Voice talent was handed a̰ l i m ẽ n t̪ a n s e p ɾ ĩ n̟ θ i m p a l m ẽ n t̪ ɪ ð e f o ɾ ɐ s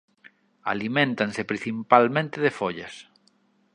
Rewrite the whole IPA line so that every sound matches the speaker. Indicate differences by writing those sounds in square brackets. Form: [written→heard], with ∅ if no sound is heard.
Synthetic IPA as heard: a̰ l i m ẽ n t̪ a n s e p ɾ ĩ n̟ θ i m p a l m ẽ n t̪ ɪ ð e f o [ɾ→ʎ] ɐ s